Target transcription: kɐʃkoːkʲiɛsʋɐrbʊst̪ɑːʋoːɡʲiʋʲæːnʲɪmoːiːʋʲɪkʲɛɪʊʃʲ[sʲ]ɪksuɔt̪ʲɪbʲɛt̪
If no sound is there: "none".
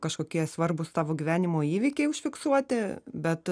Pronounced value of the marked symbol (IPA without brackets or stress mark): fʲ